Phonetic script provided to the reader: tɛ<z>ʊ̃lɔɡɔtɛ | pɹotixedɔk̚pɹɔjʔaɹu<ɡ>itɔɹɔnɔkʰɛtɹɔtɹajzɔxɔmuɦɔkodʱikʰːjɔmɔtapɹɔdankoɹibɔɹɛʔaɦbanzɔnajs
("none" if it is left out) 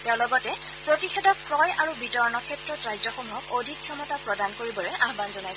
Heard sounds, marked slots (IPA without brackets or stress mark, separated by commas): none, b